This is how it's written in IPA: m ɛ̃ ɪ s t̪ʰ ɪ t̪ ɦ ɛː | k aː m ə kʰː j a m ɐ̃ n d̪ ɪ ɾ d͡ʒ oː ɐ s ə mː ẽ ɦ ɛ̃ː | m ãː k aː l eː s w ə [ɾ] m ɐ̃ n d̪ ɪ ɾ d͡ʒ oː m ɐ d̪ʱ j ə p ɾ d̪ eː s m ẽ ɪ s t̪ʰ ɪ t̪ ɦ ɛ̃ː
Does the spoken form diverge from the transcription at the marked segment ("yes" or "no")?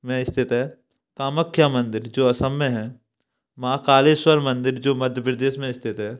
no